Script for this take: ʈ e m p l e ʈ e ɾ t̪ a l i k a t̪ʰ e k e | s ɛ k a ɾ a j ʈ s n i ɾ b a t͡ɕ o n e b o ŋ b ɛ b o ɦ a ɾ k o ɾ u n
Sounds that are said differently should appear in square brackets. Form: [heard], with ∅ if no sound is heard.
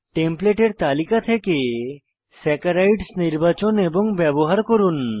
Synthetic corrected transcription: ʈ e m p l e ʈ e ɾ t̪ a l i k a t̪ʰ e k e | s ɛ k a ɾ a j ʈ s n i ɾ b a t͡ɕ o n e b o ŋ b ɛ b o ɦ a ɾ k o ɾ u n